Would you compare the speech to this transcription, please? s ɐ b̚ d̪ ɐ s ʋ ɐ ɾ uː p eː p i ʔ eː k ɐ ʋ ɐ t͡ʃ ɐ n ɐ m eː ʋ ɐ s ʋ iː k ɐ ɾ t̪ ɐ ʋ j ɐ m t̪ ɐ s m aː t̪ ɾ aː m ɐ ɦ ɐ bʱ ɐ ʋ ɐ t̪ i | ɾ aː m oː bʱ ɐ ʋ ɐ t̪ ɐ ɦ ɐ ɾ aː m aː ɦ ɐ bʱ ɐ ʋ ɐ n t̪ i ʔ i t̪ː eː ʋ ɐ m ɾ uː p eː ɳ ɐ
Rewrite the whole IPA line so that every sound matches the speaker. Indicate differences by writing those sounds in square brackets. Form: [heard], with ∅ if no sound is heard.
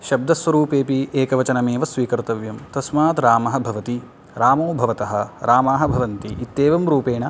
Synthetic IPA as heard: [ʃ] ɐ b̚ d̪ ɐ s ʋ ɐ ɾ uː p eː p i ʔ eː k ɐ ʋ ɐ t͡ʃ ɐ n ɐ m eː ʋ ɐ s ʋ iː k ɐ ɾ t̪ ɐ ʋ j ɐ m t̪ ɐ s m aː t̪ ɾ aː m ɐ ɦ ɐ bʱ ɐ ʋ ɐ t̪ i | ɾ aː m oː bʱ ɐ ʋ ɐ t̪ ɐ ɦ ɐ ɾ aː m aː ɦ ɐ bʱ ɐ ʋ ɐ n t̪ i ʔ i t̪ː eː ʋ ɐ m ɾ uː p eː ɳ ɐ